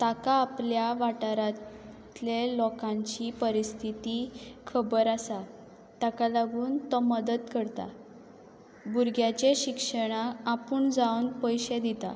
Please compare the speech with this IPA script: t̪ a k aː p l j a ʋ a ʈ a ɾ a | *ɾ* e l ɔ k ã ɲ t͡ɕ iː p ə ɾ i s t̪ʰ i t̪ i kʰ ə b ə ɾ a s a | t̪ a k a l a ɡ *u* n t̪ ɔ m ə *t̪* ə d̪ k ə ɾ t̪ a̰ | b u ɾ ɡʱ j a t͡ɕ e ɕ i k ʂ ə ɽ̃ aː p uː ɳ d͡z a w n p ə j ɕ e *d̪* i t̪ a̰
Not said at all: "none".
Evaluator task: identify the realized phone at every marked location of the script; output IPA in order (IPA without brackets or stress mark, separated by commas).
l, uː, d̪, d̪